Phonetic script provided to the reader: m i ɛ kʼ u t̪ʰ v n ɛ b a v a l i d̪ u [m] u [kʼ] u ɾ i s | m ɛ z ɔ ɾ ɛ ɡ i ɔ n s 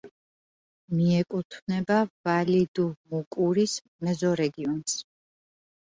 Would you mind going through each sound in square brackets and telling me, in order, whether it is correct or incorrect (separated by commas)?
correct, correct